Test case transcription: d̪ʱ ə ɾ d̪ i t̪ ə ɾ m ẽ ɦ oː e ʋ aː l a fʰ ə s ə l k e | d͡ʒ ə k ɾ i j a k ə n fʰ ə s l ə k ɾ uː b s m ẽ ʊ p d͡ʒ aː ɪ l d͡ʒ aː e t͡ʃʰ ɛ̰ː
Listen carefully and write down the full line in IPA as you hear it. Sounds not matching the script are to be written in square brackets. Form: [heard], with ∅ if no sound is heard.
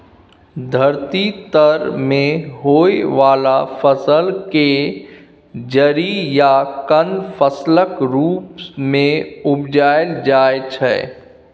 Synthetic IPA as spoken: d̪ʱ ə ɾ [t̪] i t̪ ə ɾ m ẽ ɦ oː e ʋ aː l a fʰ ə s ə l k e | d͡ʒ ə [∅] ɾ i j a k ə n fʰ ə s l ə k ɾ uː [p] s m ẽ ʊ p d͡ʒ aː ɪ l d͡ʒ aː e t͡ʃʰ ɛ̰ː